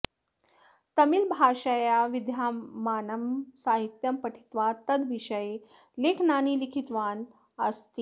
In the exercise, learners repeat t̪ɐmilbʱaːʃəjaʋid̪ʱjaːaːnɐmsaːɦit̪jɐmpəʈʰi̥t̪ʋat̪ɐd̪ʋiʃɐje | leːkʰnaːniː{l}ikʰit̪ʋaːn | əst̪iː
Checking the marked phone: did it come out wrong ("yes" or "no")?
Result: no